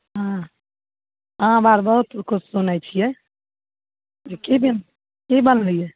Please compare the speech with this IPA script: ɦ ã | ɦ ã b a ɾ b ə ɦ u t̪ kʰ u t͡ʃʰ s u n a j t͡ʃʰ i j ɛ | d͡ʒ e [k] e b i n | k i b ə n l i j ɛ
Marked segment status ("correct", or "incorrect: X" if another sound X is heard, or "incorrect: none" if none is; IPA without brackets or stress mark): correct